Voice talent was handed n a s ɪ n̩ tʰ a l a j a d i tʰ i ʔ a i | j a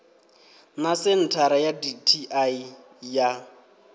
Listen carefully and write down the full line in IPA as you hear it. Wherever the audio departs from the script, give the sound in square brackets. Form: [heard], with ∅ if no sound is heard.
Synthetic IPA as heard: n a s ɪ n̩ tʰ a [ɾ] a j a d i tʰ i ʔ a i | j a